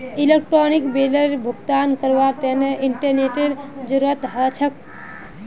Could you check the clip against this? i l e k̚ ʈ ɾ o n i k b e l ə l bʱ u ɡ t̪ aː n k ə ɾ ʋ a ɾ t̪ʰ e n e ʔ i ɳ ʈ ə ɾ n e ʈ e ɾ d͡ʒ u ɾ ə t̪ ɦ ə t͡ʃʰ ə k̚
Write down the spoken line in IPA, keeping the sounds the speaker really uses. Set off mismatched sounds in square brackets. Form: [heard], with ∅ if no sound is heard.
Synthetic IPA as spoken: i l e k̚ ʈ ɾ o n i k b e l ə [ɾ] bʱ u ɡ t̪ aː n k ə ɾ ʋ a ɾ [t̪] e n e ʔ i ɳ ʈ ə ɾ n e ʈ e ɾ d͡ʒ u ɾ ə t̪ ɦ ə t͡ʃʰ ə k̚